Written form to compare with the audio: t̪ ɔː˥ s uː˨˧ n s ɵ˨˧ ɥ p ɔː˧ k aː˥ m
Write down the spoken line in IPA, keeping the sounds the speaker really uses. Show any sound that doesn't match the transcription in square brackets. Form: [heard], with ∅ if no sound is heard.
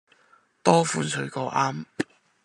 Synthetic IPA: t̪ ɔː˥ [f] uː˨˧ n s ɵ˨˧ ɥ [k] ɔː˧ [ʔ] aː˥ m